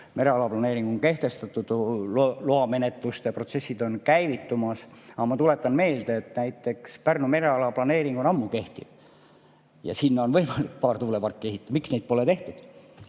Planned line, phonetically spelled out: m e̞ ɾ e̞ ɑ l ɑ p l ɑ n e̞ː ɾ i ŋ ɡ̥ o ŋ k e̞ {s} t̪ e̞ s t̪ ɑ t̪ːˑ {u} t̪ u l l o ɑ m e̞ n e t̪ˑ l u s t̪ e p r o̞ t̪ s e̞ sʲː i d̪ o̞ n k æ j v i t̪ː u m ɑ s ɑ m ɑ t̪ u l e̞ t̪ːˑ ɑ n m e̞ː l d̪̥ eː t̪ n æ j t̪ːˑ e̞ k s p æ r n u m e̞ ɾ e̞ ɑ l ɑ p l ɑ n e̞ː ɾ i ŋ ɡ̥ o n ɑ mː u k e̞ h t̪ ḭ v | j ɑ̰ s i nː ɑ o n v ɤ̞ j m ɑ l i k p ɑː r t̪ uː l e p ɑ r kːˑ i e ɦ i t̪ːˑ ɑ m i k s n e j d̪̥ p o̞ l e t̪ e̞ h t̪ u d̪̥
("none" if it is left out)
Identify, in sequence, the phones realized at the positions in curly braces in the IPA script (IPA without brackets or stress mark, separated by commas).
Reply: h, u